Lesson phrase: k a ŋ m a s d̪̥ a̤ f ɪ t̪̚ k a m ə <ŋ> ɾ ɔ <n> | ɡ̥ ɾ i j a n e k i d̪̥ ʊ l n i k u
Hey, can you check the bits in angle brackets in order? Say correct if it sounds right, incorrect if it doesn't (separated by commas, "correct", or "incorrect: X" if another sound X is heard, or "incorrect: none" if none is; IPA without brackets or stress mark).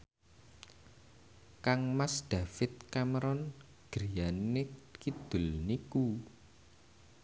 incorrect: none, correct